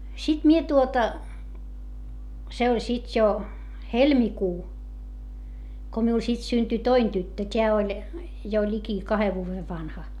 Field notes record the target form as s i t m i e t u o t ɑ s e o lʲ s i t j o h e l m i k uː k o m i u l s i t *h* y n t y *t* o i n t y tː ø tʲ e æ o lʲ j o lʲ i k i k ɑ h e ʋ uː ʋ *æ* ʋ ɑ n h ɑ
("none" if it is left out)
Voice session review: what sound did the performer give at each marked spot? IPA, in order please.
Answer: s, t, e

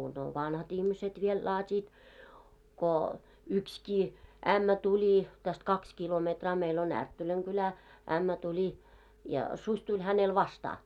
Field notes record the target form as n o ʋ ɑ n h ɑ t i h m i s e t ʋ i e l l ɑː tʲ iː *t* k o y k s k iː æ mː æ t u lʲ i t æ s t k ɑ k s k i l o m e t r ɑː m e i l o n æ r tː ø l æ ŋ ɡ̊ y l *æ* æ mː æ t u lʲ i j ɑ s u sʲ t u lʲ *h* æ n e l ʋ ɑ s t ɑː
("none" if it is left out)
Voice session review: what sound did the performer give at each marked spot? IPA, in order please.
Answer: t, æ, h

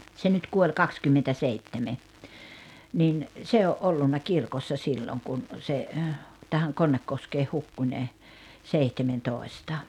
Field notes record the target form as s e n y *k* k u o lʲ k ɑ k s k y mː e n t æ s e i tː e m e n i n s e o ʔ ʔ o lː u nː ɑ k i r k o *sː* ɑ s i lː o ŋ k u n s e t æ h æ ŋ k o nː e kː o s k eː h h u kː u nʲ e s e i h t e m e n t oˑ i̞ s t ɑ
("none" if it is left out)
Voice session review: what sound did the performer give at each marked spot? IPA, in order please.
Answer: t, sː

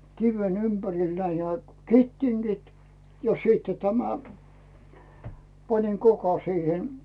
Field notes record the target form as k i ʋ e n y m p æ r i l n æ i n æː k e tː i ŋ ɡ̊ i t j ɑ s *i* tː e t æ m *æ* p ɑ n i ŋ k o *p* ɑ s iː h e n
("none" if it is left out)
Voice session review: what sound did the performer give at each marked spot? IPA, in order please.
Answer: iː, æ, k

